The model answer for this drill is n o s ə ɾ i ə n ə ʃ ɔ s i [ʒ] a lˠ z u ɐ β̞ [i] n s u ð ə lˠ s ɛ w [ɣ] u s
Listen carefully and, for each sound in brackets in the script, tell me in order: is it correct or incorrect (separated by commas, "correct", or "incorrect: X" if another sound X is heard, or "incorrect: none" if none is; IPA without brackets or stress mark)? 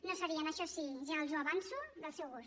correct, incorrect: a, correct